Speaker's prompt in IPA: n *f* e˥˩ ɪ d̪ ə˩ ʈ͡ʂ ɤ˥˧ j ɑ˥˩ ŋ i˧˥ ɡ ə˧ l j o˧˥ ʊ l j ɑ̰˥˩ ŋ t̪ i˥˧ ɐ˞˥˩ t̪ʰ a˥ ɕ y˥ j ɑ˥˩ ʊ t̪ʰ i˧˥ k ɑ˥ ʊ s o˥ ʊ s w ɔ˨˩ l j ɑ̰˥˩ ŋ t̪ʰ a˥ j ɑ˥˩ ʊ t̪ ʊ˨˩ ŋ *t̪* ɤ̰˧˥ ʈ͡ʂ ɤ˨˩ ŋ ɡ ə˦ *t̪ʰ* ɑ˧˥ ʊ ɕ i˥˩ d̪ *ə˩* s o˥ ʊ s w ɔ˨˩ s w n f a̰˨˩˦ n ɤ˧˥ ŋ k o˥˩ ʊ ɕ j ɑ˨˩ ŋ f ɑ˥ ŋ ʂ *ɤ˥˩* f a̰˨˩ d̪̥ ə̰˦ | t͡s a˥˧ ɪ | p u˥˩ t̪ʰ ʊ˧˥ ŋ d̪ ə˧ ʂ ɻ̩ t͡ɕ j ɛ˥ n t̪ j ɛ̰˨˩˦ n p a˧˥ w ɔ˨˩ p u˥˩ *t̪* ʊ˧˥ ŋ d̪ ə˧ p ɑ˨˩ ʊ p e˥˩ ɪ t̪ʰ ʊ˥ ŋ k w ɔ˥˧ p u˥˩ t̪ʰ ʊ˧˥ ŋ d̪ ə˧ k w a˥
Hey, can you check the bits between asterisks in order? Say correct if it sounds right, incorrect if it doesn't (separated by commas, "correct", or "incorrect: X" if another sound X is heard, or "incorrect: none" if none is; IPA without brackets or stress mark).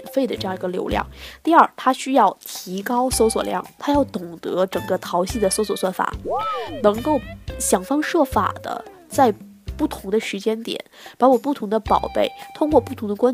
correct, correct, correct, correct, correct, incorrect: t̪ʰ